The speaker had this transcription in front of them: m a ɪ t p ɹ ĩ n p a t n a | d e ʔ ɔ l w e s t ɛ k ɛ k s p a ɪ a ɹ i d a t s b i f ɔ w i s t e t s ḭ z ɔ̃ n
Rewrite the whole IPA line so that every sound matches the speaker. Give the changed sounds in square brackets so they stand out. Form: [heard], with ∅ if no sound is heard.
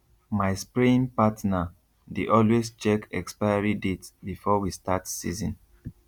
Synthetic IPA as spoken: m a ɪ [s] p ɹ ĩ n p a t n a | d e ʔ ɔ l w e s [t͡ʃ] ɛ k ɛ k s p a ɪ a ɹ i d [e] t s b i f ɔ w i s t [a] t s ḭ z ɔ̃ n